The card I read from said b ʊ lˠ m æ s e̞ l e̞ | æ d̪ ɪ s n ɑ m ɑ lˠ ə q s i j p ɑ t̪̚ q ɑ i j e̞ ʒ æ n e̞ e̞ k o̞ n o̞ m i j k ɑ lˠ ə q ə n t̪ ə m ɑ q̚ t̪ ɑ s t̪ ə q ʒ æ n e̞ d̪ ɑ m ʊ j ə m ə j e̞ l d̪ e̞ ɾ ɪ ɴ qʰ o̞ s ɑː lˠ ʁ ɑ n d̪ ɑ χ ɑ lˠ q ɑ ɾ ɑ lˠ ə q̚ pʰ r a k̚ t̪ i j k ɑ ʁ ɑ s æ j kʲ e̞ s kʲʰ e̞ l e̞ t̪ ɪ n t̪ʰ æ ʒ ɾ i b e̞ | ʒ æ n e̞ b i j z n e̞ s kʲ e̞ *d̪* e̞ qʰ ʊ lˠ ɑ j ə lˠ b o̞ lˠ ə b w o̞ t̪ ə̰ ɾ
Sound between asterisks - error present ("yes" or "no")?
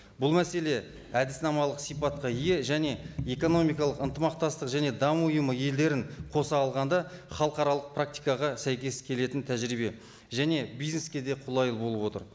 no